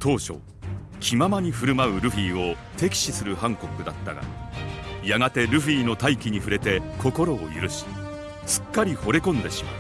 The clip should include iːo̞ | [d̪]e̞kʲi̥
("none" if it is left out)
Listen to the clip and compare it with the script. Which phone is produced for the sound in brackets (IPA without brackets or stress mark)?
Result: t̪